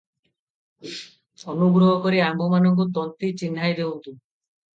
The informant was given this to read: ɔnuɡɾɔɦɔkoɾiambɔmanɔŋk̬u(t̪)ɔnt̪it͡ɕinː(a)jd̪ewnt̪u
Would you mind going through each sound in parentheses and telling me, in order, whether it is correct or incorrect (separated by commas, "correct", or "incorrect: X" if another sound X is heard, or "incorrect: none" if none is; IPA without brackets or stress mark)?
correct, correct